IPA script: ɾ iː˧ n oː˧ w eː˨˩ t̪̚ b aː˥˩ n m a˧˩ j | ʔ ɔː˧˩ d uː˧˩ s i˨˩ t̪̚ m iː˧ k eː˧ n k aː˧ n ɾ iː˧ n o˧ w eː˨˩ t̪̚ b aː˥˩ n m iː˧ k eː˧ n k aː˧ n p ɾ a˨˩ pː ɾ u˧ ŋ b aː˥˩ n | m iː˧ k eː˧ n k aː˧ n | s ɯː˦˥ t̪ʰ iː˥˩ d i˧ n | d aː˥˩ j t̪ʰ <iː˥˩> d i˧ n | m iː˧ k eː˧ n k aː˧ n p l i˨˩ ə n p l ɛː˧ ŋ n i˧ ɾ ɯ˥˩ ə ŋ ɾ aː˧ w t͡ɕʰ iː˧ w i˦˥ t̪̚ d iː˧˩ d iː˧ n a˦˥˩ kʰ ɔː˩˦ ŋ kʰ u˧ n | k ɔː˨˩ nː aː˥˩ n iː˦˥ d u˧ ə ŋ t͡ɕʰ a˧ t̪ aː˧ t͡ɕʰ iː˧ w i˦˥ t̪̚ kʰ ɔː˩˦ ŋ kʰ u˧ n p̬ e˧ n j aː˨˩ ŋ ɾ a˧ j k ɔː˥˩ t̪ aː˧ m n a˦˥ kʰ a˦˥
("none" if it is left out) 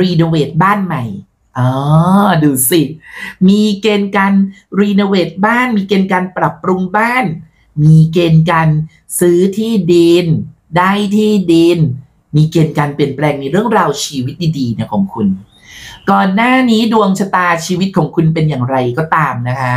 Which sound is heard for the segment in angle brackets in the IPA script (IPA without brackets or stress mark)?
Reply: iː˥˩